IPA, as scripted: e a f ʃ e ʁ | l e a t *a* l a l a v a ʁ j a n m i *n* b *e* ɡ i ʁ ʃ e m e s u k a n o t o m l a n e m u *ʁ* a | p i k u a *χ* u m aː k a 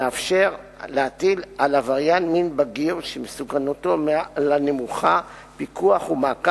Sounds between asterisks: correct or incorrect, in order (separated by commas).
incorrect, correct, incorrect, incorrect, correct